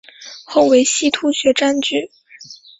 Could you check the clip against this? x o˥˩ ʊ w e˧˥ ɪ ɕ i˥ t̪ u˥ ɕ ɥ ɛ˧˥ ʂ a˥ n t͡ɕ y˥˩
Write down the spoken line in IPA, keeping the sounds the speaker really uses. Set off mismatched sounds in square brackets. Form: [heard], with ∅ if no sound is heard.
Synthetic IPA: x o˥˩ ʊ w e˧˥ ɪ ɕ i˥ [t̪ʰ] u˥ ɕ ɥ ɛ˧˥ [ʈ͡ʂ] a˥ n t͡ɕ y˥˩

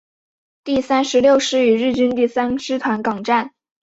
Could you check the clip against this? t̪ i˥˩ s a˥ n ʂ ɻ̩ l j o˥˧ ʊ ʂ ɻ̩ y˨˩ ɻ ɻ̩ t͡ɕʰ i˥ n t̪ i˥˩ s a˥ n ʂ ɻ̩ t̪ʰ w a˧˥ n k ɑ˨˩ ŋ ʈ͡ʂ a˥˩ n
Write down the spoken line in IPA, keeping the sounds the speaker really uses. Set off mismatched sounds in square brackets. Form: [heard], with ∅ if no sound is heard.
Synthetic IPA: t̪ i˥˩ s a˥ n ʂ ɻ̩ l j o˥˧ ʊ ʂ ɻ̩ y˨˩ ɻ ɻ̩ [t͡ɕ] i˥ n t̪ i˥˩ s a˥ n ʂ ɻ̩ t̪ʰ w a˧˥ n k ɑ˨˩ ŋ ʈ͡ʂ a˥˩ n

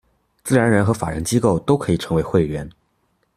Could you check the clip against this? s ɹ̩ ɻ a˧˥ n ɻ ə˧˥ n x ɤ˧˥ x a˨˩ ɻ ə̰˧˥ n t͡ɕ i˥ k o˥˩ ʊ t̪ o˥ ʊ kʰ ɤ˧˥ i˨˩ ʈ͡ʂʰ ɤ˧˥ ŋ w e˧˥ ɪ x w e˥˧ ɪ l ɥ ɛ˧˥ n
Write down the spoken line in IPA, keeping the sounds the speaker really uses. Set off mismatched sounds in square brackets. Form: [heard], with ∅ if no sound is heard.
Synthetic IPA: [t͡s] ɹ̩ ɻ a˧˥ n ɻ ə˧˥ n x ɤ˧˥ [f] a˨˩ ɻ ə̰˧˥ n t͡ɕ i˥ k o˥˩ ʊ t̪ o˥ ʊ kʰ ɤ˧˥ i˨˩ ʈ͡ʂʰ ɤ˧˥ ŋ w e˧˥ ɪ x w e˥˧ ɪ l ɥ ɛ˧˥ n

